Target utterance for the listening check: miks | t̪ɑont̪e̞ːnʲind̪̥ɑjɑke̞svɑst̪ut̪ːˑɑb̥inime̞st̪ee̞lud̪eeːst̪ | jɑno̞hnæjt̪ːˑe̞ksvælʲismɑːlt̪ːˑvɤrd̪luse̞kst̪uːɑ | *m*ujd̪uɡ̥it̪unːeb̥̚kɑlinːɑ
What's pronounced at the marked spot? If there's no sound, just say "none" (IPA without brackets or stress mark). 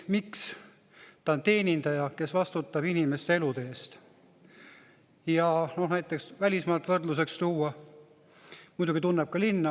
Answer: m